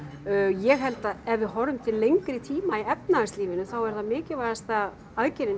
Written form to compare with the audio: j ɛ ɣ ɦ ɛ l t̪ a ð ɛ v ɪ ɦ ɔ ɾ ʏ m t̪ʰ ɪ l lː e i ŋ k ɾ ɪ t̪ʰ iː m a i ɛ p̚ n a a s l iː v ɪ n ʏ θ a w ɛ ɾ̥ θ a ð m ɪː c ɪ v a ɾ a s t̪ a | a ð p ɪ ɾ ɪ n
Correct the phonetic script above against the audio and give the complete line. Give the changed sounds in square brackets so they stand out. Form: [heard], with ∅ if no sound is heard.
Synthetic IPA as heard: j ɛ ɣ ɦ ɛ l t̪ a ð ɛ v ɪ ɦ ɔ ɾ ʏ m t̪ʰ ɪ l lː e [j] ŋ k ɾ ɪ t̪ʰ iː m a i ɛ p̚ n a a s l iː v ɪ n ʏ θ a w ɛ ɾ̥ θ a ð m ɪː c ɪ v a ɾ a s t̪ a | a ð [c] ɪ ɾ ɪ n